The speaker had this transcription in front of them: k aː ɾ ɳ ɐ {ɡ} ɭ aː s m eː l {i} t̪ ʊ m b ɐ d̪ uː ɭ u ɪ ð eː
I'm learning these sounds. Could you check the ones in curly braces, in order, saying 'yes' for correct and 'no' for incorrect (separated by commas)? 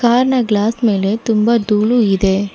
yes, no